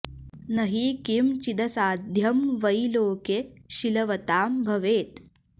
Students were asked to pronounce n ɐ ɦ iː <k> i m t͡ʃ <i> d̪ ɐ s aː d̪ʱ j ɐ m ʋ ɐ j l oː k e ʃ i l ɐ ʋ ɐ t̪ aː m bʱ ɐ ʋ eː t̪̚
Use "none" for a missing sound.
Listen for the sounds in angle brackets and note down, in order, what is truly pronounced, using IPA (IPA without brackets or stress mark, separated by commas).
k, i